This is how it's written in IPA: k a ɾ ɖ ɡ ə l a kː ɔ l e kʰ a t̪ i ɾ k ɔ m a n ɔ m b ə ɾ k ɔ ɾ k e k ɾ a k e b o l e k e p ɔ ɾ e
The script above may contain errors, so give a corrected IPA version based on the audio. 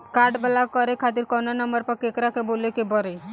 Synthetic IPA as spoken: k a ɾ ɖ b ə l a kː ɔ ɾ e kʰ a t̪ i ɾ k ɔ n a n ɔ m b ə ɾ p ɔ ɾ k e k ɾ a k e b o l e k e b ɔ ɾ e